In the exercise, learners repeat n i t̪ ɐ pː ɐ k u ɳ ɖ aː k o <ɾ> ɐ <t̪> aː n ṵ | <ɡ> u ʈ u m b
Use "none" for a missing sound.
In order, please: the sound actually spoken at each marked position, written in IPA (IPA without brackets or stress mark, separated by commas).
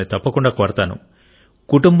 ɾ, t̪, k